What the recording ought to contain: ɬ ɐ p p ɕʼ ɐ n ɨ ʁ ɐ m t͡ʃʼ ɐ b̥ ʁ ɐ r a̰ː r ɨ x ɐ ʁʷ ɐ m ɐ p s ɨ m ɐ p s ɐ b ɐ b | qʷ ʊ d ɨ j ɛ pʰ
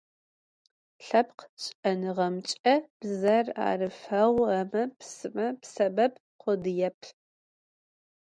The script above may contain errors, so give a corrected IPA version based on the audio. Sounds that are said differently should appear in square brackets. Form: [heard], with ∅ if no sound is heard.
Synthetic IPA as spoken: ɬ ɐ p [q] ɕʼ ɐ n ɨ ʁ ɐ m t͡ʃʼ ɐ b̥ [z] ɐ r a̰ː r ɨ [f] ɐ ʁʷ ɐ m ɐ p s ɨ m ɐ p s ɐ b ɐ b | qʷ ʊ d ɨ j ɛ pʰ